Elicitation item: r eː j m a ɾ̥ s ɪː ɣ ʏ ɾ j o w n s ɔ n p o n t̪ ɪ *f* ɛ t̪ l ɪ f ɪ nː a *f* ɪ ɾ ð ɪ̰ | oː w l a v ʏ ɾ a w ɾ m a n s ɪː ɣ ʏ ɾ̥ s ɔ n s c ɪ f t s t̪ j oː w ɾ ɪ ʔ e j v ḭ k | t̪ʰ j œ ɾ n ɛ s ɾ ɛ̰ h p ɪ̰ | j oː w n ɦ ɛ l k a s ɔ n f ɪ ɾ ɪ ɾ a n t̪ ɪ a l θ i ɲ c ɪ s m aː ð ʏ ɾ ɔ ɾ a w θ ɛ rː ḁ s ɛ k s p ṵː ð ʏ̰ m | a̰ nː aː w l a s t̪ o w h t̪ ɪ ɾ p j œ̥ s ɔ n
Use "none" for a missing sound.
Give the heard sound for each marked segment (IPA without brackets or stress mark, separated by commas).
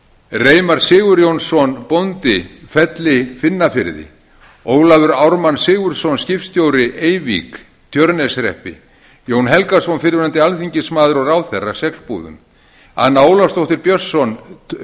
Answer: f, f